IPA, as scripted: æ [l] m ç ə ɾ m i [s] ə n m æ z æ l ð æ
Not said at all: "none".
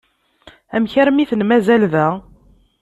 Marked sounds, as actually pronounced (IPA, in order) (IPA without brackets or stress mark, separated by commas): none, θ